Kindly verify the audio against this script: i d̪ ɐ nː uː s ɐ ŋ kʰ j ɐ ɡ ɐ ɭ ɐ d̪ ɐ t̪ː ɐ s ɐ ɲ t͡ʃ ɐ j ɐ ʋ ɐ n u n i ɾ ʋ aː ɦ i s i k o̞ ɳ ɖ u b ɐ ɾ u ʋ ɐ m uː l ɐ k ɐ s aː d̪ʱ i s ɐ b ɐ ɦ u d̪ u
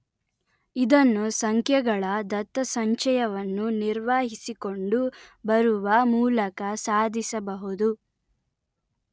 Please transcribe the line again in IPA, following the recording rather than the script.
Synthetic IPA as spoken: i d̪ ɐ nː u s ɐ ŋ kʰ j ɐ ɡ ɐ ɭ ɐ d̪ ɐ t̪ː ɐ s ɐ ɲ t͡ʃ ɐ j ɐ ʋ ɐ nː u n i ɾ ʋ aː ɦ i s i k o̞ ɳ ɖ u b ɐ ɾ u ʋ ɐ m uː l ɐ k ɐ s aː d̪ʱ i s ɐ b ɐ ɦ u d̪ u